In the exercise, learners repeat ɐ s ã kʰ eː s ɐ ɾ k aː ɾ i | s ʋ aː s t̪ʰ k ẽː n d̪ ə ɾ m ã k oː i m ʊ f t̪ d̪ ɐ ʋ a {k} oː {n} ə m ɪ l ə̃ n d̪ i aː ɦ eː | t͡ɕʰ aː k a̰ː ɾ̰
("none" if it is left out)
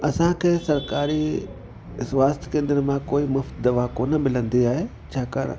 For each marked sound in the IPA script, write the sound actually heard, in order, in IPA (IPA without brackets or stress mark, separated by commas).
k, n